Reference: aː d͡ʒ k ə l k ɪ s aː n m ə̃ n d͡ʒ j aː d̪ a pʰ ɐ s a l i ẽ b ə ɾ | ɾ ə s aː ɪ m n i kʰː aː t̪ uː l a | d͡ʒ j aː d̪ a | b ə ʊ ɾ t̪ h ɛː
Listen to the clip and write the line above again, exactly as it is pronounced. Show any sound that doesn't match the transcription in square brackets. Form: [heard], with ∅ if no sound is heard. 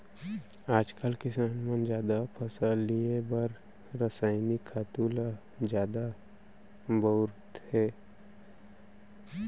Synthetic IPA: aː d͡ʒ k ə l k ɪ s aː n m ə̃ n d͡ʒ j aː d̪ a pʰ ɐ s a l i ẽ b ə ɾ | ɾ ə s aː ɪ [∅] n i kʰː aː t̪ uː l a | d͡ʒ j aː d̪ a | b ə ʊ ɾ t̪ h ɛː